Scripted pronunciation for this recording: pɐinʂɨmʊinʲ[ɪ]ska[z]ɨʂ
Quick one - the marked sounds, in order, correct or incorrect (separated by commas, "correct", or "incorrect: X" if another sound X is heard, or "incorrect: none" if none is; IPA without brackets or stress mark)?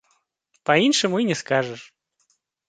correct, incorrect: ʐ